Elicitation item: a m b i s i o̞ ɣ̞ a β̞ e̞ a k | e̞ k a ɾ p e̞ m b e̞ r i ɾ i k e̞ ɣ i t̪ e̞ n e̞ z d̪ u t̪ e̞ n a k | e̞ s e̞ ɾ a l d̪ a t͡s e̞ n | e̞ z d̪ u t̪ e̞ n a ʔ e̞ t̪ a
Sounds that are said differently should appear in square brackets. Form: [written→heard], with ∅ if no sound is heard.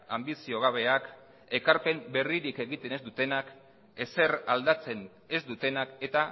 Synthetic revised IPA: a m b i s i o̞ ɣ̞ a β̞ e̞ a k | e̞ k a ɾ p e̞ m b e̞ r i ɾ i k e̞ ɣ i t̪ e̞ n e̞ z d̪ u t̪ e̞ n a k | e̞ s e̞ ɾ a l d̪ a t͡s e̞ n | e̞ z d̪ u t̪ e̞ n a [ʔ→k] e̞ t̪ a